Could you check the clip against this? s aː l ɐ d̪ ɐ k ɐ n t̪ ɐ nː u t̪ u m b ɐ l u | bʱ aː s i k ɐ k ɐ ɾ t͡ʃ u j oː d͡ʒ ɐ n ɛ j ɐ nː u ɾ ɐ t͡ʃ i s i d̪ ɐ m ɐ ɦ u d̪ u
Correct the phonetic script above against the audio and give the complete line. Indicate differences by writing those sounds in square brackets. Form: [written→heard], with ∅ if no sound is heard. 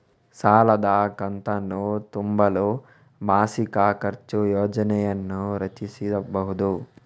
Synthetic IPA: s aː l ɐ d̪ ɐ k ɐ n t̪ ɐ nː u t̪ u m b ɐ l u | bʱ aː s i k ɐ k ɐ ɾ t͡ʃ u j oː d͡ʒ ɐ n ɛ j ɐ nː u ɾ ɐ t͡ʃ i s i d̪ ɐ [m→b] ɐ ɦ u d̪ u